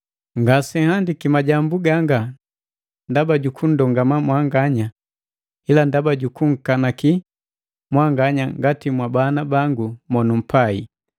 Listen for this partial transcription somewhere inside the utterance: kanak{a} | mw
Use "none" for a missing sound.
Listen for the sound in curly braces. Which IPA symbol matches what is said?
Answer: i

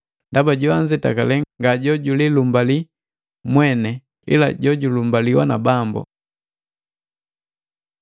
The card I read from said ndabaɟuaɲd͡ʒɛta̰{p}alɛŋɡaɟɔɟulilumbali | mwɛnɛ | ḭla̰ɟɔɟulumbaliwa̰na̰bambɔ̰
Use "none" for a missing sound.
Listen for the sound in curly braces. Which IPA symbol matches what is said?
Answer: k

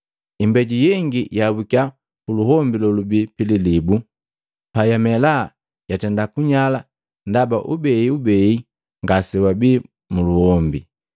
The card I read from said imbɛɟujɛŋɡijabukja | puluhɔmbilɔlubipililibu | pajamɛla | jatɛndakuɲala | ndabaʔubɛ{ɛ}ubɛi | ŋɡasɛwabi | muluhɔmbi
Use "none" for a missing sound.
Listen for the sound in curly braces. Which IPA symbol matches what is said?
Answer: i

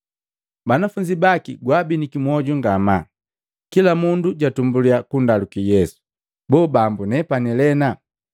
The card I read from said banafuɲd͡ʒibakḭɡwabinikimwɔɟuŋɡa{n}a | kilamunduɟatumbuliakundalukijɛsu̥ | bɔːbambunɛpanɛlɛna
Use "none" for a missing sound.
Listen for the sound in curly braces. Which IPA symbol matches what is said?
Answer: m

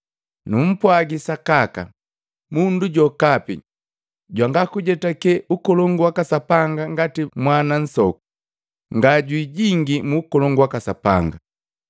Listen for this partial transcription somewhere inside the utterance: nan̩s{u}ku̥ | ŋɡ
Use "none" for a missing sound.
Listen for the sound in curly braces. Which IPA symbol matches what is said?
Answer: ɔ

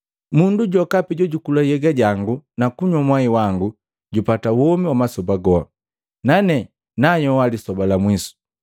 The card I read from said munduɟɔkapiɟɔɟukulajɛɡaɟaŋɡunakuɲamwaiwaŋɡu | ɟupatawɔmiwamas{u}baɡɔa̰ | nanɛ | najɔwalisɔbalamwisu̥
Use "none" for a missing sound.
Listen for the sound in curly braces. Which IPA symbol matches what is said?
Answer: ɔ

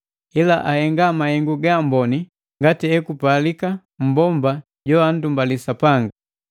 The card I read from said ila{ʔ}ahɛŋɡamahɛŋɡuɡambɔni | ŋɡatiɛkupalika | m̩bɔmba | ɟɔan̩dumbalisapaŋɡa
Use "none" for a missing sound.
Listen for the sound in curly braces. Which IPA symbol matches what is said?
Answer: ʔ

